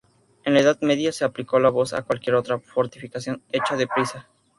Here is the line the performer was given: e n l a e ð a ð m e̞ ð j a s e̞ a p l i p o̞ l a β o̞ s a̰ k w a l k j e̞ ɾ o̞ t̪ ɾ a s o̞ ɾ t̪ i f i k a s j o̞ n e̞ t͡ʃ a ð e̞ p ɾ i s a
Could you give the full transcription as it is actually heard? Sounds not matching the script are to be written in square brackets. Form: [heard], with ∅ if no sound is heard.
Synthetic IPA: e n l a e ð a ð m e̞ ð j a s e̞ a p l i [k] o̞ l a β o̞ s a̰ k w a l k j e̞ ɾ o̞ t̪ ɾ a [f] o̞ ɾ t̪ i f i k a s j o̞ n e̞ t͡ʃ a ð e̞ p ɾ i s a